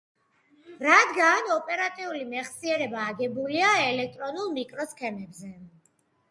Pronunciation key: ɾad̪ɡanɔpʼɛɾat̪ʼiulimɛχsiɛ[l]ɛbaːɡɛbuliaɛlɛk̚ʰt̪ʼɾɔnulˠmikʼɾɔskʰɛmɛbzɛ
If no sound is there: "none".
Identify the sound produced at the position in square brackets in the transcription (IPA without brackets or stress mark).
ɾ